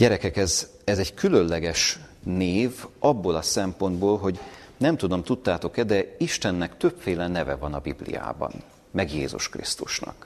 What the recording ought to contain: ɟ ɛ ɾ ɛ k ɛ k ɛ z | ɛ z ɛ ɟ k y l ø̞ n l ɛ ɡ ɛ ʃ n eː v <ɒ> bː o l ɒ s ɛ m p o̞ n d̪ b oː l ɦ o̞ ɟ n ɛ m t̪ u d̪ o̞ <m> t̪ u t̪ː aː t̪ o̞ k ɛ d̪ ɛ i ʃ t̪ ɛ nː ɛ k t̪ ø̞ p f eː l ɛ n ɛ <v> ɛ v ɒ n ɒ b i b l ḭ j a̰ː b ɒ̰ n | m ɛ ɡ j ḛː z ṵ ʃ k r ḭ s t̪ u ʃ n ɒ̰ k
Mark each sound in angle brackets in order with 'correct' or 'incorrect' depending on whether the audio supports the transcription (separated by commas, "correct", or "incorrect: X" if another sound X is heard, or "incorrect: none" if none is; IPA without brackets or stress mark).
correct, correct, correct